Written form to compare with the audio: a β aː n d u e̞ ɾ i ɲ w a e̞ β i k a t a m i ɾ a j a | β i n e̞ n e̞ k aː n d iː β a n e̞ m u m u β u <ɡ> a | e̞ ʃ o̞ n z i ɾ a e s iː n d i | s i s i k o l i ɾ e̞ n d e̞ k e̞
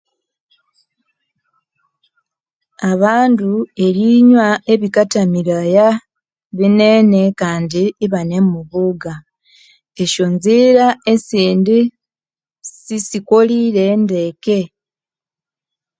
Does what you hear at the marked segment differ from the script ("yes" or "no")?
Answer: no